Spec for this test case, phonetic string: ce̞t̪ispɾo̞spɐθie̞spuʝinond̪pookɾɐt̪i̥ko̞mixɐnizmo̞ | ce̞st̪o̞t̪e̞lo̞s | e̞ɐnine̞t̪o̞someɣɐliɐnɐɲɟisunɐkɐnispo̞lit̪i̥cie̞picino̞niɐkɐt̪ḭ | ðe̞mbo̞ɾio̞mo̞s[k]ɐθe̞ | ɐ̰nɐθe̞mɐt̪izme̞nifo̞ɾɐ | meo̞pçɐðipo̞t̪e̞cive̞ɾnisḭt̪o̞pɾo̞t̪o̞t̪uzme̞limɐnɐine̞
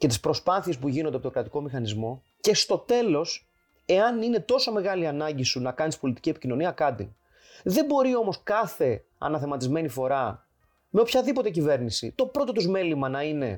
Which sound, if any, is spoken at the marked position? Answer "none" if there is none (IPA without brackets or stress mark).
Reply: k